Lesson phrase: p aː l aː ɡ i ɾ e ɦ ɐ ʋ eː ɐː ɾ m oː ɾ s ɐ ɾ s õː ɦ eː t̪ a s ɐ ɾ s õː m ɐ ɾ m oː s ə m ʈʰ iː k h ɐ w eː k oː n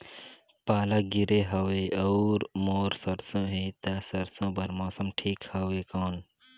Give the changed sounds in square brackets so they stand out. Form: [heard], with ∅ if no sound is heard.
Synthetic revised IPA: p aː l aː ɡ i ɾ e ɦ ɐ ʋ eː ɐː ɾ m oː ɾ s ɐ ɾ s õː ɦ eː t̪ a s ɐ ɾ s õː [b] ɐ ɾ m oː s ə m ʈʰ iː k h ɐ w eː k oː n